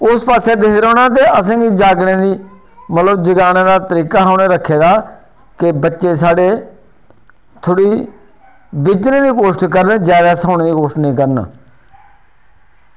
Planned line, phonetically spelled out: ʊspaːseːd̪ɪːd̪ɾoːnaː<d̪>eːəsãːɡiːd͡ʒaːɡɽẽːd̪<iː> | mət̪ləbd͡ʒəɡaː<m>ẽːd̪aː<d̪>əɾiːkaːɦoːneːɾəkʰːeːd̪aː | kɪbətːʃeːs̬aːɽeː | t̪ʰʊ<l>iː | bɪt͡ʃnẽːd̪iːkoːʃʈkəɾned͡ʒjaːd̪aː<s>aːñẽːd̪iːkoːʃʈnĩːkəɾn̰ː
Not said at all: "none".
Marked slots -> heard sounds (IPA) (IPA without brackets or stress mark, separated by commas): t̪, iː, n, t̪, ɽ, s